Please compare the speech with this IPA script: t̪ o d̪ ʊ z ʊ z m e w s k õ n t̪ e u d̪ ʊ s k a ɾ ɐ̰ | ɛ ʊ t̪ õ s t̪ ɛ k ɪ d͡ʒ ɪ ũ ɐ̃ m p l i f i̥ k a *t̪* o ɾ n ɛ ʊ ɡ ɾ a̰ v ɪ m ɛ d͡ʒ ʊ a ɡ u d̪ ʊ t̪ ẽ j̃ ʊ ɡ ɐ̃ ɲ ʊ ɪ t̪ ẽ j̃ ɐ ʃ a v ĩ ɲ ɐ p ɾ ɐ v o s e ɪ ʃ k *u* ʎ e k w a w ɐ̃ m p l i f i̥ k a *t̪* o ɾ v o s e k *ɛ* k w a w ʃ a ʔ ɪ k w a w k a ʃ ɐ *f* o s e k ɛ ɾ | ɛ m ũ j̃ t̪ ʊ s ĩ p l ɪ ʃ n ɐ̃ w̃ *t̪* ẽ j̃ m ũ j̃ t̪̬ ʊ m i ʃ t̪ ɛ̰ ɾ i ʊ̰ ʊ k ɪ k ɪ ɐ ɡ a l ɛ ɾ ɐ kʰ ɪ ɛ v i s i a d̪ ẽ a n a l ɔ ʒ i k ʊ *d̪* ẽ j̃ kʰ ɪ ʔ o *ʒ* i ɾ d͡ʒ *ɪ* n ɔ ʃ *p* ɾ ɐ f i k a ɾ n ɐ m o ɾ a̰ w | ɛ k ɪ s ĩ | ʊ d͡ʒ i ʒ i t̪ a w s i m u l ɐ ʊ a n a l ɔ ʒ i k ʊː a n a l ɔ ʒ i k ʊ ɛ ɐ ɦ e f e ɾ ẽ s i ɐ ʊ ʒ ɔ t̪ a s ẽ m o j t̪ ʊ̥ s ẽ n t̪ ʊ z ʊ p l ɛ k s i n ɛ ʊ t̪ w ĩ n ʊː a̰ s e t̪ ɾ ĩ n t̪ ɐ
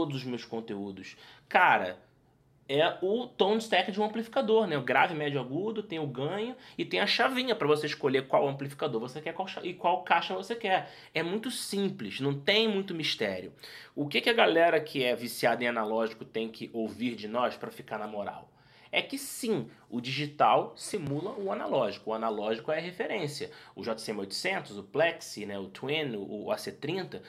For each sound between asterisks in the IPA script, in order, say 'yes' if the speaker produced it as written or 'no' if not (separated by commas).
no, no, no, yes, no, yes, no, no, yes, yes